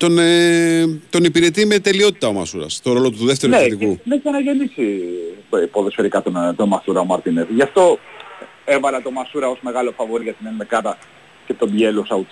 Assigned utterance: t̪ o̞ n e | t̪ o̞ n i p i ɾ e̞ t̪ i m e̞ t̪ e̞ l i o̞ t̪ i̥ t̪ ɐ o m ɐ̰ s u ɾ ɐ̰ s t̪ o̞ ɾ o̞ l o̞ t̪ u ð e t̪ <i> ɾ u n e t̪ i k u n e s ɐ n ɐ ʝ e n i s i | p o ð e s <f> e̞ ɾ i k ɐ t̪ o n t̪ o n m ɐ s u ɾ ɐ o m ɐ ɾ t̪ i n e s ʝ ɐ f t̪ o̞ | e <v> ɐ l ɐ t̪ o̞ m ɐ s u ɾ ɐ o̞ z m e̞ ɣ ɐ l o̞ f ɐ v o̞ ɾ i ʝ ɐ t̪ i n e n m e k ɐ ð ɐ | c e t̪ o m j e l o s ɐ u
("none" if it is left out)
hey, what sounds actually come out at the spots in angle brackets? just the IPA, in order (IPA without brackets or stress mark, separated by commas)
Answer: e, f, v